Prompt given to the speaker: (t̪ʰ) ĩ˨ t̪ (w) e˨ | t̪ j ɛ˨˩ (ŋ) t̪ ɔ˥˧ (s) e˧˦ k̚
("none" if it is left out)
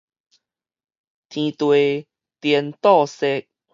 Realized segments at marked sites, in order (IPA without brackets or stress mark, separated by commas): t̪ʰ, w, n, s